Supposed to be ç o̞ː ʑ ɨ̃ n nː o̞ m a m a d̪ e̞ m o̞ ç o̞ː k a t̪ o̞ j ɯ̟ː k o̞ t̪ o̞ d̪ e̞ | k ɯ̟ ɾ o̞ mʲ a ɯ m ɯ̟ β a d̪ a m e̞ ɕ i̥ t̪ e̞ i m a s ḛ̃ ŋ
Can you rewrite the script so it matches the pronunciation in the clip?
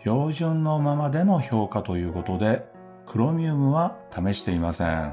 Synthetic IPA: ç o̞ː ʑ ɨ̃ n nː o̞ m a m a d̪ e̞ n o̞ ç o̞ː k a t̪ o̞ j ɯ̟ː k o̞ t̪ o̞ d̪ e̞ | k ɯ̟ ɾ o̞ mʲ i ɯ m ɯ̟ β a t̪ a m e̞ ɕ i̥ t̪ e̞ i m a s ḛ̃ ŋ